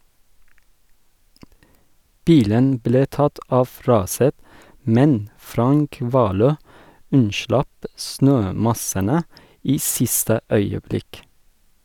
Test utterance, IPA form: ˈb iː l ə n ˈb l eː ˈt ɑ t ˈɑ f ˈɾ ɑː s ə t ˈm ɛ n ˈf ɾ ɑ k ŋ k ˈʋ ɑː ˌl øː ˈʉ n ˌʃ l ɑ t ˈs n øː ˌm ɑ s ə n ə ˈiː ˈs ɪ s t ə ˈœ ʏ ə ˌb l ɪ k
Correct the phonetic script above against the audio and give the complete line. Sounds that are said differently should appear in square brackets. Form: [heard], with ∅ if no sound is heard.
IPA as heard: ˈb iː l ə n ˈb l eː ˈt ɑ t ˈɑ f ˈɾ ɑː s ə t ˈm ɛ n ˈf ɾ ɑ [∅] ŋ k ˈʋ ɑː ˌl øː ˈʉ n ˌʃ l ɑ [p] ˈs n øː ˌm ɑ s ə n ə ˈiː ˈs ɪ s t ə ˈœ ʏ ə ˌb l ɪ k